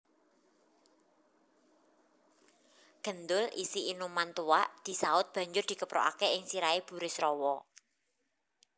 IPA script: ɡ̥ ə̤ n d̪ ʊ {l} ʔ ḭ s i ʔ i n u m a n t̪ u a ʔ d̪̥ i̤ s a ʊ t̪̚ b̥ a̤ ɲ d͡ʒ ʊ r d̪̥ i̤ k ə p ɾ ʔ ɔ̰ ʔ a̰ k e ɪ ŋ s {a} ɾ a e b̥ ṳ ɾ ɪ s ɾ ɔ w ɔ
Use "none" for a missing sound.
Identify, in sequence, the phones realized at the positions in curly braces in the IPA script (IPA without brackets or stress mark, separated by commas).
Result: l, i